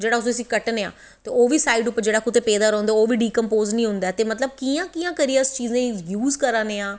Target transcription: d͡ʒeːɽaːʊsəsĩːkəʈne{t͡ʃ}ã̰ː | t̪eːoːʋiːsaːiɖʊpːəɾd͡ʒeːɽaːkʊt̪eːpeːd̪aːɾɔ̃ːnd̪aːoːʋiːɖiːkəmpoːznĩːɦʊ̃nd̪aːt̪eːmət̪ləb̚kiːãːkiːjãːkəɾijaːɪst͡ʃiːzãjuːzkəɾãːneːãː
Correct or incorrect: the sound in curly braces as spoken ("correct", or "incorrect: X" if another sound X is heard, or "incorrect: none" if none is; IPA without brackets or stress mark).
incorrect: none